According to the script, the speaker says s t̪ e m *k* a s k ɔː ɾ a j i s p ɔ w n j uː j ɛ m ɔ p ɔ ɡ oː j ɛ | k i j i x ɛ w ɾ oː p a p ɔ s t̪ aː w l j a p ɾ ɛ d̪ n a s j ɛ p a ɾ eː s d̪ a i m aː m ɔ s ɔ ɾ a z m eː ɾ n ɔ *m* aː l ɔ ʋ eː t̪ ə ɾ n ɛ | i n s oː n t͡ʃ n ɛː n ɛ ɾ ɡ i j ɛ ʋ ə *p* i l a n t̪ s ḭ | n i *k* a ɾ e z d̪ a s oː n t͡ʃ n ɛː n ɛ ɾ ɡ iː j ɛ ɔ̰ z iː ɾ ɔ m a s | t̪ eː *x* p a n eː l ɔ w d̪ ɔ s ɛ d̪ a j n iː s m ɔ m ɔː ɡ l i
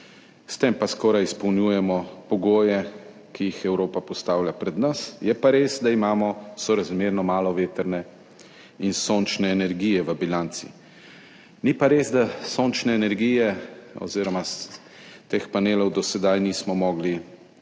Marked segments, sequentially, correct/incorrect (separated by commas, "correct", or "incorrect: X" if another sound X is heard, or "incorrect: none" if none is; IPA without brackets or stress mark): incorrect: p, correct, incorrect: b, incorrect: p, correct